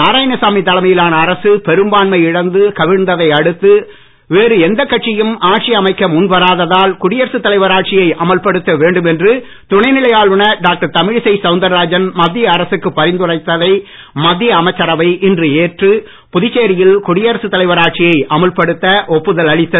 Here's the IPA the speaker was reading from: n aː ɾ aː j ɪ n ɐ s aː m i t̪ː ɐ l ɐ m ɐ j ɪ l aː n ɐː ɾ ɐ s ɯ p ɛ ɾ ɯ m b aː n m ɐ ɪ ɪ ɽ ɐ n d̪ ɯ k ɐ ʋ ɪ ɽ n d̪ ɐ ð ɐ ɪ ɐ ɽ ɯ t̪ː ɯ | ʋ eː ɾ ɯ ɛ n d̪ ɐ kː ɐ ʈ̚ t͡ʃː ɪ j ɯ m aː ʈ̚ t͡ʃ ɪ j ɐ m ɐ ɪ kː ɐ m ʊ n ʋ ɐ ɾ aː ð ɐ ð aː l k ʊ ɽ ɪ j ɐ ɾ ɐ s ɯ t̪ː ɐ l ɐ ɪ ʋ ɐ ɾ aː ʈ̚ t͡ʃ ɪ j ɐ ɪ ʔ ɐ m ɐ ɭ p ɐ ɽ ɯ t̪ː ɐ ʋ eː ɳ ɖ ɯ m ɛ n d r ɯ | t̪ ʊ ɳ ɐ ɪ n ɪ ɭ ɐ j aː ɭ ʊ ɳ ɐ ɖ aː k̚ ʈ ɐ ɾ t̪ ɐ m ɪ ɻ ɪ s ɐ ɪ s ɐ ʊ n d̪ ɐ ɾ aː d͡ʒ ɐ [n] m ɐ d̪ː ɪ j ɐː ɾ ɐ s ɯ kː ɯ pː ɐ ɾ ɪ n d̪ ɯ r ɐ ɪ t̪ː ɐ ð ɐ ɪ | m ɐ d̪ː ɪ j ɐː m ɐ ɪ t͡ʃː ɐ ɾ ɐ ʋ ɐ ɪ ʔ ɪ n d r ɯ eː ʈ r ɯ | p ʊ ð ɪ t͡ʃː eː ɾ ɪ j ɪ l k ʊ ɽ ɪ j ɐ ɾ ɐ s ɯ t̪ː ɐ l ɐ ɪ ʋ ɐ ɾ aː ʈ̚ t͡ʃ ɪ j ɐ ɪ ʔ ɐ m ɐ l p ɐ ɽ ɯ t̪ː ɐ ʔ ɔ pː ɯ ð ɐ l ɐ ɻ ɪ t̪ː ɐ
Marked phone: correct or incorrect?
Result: correct